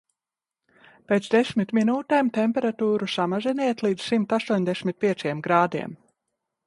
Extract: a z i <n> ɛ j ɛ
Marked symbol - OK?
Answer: yes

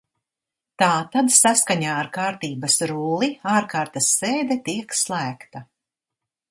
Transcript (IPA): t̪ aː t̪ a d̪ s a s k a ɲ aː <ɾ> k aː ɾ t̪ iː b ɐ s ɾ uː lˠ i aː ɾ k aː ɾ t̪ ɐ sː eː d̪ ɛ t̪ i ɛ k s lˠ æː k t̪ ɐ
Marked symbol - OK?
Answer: yes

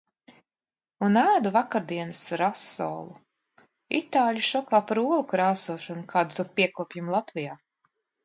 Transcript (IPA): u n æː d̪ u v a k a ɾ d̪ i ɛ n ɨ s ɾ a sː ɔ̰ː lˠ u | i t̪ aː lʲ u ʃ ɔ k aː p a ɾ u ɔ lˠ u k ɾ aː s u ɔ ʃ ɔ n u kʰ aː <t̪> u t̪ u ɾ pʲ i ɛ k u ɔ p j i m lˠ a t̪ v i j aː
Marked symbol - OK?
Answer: no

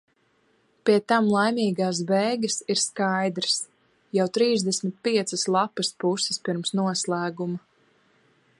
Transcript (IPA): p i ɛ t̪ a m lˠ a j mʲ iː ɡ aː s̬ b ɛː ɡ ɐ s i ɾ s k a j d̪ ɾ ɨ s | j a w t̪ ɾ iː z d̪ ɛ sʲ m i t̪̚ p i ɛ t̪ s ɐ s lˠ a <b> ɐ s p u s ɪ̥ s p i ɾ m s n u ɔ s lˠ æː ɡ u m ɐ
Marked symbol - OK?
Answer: no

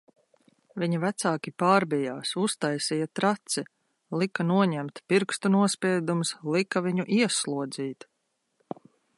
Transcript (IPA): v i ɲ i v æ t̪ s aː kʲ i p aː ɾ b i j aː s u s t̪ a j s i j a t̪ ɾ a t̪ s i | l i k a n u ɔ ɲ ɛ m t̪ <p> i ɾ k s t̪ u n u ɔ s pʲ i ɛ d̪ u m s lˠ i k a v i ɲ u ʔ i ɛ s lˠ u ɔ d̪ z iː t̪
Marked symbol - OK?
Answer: yes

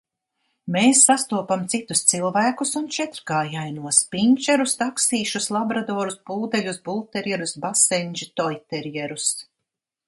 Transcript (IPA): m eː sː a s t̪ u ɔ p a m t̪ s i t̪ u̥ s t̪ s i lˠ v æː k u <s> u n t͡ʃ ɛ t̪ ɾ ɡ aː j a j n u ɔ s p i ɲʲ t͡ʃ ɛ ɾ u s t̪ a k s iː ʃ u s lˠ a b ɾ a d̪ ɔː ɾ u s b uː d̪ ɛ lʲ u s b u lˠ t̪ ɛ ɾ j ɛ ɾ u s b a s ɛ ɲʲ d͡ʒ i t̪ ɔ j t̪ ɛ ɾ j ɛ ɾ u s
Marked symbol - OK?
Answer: yes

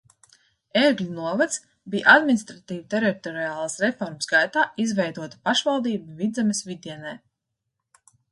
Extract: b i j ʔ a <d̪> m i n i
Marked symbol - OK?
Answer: yes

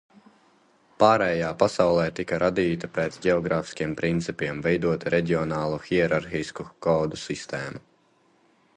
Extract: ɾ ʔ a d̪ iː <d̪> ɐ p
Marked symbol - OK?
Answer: no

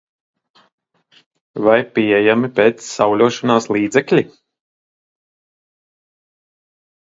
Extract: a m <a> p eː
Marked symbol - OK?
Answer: no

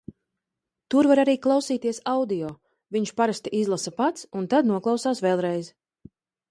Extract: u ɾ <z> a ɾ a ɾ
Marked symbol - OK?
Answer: no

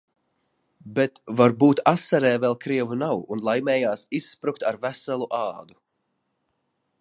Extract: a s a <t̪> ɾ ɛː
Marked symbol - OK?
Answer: no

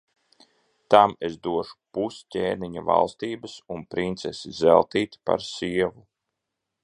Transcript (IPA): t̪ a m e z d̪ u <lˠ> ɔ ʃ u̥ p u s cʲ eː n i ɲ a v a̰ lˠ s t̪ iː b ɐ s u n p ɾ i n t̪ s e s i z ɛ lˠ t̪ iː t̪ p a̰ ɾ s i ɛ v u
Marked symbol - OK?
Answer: no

